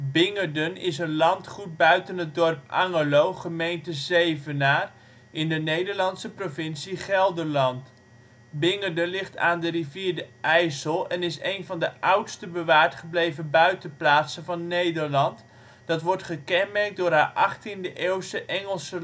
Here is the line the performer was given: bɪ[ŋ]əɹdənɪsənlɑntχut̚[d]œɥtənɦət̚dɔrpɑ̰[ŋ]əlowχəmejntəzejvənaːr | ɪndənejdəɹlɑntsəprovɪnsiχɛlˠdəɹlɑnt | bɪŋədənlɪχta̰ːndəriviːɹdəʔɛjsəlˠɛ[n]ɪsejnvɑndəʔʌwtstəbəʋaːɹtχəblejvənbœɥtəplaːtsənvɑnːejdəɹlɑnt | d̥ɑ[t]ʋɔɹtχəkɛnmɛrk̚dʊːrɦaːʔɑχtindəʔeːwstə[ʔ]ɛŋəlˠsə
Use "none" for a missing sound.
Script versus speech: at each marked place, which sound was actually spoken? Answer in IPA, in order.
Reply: ŋ, b, ŋ, n, t, ʔ

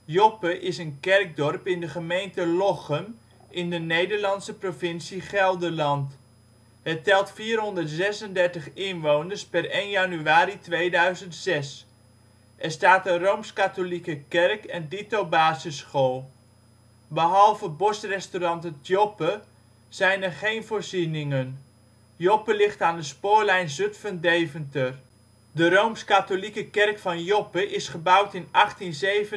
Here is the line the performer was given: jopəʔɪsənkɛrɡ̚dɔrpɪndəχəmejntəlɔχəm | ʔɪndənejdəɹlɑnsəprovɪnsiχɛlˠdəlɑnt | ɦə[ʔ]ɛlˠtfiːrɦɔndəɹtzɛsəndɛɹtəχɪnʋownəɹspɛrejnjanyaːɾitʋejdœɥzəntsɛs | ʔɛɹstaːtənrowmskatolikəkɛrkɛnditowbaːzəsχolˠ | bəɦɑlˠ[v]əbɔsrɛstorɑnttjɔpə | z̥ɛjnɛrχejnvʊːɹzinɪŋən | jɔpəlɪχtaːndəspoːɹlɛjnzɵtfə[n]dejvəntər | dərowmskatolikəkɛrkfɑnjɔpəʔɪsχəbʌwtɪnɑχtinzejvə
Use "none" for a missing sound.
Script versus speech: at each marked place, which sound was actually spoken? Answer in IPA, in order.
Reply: t, v, n

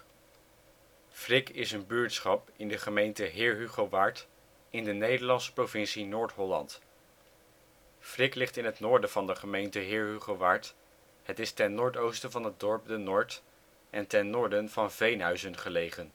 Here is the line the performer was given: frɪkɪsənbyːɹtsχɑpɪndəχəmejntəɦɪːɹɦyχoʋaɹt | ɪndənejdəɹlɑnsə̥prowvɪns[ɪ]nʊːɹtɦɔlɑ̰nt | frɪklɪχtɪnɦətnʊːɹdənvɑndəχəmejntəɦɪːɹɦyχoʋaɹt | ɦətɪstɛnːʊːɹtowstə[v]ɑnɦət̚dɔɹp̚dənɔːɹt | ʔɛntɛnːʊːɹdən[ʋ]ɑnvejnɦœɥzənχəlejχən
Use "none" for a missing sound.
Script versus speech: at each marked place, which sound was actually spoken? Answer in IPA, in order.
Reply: i, v, v

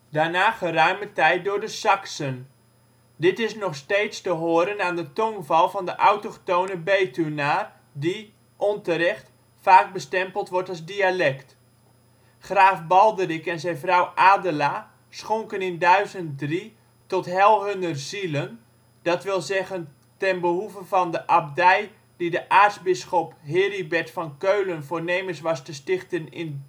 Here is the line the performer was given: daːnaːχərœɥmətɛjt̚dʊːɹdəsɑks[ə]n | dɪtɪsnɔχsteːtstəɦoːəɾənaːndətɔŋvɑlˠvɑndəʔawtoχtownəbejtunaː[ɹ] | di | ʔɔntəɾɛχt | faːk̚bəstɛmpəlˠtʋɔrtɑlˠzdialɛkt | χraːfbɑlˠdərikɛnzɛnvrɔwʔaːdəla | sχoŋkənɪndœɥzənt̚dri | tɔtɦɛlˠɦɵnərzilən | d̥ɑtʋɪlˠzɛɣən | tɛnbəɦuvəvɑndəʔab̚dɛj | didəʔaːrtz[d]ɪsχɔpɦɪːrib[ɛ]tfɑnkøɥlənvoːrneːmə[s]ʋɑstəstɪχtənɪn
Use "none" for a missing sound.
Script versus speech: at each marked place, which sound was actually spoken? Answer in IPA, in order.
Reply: ə, r, b, ɛ, s

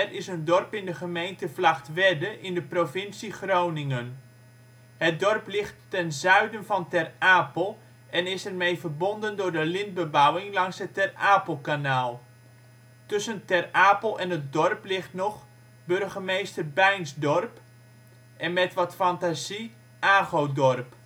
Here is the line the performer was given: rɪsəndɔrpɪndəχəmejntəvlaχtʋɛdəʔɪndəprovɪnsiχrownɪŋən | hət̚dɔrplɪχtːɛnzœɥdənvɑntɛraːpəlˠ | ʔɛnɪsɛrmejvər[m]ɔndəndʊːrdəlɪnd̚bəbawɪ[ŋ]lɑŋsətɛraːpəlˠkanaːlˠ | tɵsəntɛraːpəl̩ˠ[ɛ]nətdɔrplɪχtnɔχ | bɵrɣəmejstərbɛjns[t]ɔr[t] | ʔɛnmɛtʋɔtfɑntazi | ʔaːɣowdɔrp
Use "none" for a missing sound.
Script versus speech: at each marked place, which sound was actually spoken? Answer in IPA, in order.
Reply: b, ŋ, ɛ, d, p

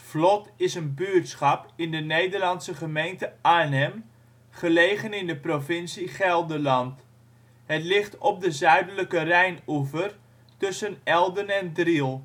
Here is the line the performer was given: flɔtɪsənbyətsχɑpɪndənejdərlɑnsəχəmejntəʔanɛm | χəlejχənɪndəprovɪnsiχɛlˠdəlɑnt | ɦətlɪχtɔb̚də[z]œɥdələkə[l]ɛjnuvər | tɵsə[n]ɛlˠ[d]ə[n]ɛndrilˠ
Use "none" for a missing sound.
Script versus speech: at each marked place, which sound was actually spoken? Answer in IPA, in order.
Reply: z, r, n, d, n

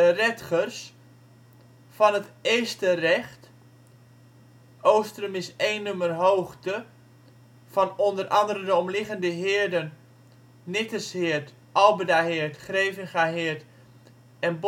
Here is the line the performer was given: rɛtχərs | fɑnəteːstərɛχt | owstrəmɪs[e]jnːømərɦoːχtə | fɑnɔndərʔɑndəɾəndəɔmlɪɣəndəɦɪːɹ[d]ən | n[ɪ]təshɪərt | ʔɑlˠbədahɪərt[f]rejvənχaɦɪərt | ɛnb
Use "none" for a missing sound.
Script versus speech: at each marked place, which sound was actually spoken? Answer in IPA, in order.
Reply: e, d, ɪ, χ

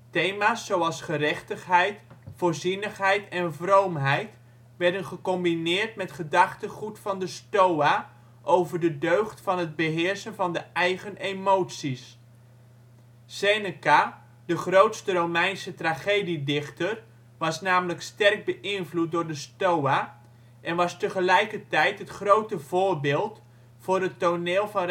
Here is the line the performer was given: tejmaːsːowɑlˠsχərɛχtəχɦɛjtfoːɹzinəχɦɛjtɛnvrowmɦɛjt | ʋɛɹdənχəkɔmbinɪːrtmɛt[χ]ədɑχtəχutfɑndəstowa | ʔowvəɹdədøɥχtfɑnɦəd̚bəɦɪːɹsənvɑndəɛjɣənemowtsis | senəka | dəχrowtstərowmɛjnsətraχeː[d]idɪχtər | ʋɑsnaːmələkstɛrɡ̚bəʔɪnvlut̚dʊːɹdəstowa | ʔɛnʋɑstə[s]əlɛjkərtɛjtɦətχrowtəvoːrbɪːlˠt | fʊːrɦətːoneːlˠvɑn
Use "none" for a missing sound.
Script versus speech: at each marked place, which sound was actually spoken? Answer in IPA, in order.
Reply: χ, d, χ

